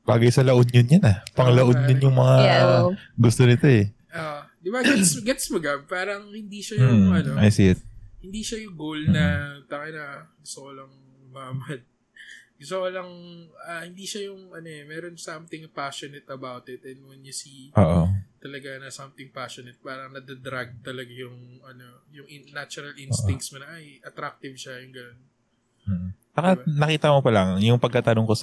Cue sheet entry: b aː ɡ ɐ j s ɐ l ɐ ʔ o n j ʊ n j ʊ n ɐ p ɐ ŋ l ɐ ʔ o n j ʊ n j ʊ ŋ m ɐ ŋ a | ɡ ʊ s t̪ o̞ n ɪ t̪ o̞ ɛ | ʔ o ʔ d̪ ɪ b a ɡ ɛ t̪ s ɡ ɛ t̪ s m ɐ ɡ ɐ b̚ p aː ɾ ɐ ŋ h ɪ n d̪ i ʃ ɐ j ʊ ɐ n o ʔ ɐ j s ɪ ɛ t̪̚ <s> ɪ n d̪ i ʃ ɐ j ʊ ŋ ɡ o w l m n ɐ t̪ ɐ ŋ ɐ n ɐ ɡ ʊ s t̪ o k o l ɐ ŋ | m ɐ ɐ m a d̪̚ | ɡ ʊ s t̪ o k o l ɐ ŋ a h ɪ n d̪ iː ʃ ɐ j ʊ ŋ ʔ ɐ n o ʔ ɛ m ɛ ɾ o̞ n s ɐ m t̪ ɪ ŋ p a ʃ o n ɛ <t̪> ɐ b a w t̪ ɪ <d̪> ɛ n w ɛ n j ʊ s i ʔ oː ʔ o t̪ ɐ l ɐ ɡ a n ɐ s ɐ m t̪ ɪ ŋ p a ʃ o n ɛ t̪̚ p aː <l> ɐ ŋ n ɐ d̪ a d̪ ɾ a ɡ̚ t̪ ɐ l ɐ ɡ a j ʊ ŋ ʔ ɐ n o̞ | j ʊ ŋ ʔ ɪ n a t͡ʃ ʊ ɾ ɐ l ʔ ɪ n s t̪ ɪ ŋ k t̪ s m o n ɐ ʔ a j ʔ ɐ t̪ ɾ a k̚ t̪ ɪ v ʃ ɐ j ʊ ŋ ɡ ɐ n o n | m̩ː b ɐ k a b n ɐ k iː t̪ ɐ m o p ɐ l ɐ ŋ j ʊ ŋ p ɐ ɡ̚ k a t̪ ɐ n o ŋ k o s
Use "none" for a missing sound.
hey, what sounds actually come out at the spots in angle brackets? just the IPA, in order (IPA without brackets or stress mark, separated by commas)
h, t̪, t̪, ɾ